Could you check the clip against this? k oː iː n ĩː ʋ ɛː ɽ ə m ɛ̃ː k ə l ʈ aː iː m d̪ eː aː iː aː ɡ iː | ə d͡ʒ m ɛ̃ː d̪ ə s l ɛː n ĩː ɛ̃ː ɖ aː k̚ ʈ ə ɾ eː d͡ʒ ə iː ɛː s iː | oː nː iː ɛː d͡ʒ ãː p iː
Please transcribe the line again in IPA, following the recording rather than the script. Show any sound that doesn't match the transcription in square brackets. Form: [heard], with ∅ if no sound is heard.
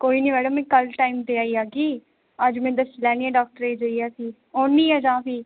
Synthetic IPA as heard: k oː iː n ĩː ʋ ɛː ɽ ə m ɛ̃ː k ə l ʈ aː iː m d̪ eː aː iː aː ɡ iː | ə d͡ʒ m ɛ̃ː d̪ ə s l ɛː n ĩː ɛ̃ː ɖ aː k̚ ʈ ə ɾ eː d͡ʒ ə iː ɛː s iː | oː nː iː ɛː d͡ʒ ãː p iː